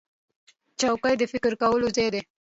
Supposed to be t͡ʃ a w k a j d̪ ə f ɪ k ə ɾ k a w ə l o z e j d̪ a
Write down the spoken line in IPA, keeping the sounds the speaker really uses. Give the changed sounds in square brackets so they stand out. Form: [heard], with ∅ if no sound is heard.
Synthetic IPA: t͡ʃ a w k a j d̪ ə f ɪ k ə ɾ k a w ə l o z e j d̪ [e]